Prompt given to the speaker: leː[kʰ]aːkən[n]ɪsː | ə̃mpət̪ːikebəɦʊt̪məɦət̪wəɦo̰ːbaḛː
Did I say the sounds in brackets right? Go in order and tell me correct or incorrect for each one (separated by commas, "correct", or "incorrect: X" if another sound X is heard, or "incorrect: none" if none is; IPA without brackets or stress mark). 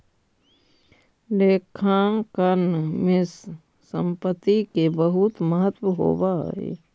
correct, incorrect: m